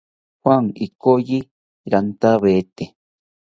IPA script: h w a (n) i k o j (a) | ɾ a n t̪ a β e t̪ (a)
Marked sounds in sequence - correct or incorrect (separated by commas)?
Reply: incorrect, incorrect, incorrect